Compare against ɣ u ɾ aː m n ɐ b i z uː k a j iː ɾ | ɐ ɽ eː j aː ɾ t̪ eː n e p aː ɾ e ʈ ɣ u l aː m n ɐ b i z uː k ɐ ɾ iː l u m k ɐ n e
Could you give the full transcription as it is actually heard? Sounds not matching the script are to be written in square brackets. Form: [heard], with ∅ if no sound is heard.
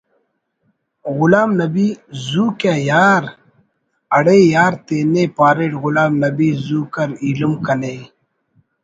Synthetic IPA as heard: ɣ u [l] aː m n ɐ b i z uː k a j [aː] ɾ | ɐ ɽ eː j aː ɾ t̪ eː n e p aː ɾ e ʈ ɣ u l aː m n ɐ b i z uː k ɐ ɾ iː l u m k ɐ n e